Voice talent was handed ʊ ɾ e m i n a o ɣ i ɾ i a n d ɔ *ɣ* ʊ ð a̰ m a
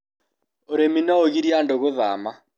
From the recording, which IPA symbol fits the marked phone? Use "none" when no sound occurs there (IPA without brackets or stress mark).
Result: ɣ